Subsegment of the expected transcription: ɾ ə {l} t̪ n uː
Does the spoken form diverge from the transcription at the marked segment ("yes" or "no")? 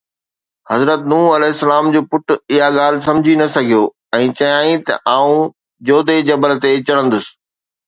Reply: yes